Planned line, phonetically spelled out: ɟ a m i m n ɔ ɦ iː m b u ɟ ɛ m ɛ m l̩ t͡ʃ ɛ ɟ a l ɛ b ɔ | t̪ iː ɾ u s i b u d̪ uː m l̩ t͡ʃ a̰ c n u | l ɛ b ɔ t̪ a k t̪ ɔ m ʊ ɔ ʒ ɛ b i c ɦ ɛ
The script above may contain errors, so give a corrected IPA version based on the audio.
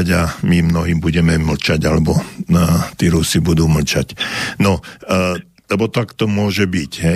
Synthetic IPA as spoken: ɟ a m i m n ɔ ɦ iː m b u ɟ ɛ m ɛ m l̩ t͡ʃ a ɟ a l ɛ b ɔ | t̪ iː ɾ u s i b u d̪ uː m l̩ t͡ʃ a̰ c n ɔ | l ɛ b ɔ t̪ a k t̪ ɔ m ʊ ɔ ʒ ɛ b i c ɦ ɛ